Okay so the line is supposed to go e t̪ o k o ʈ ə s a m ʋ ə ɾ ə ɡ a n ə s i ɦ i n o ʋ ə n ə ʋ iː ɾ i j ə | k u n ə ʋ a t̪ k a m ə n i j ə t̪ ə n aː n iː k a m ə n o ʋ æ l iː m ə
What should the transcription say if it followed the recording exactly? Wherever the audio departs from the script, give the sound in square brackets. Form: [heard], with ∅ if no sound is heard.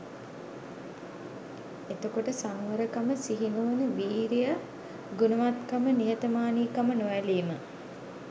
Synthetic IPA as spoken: e t̪ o k o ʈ ə s a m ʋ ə ɾ ə [k] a [m] ə s i ɦ i n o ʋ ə n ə ʋ iː ɾ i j ə | [ɡ] u n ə ʋ a t̪ k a m ə n i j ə t̪ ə [m] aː n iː k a m ə n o ʋ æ l iː m ə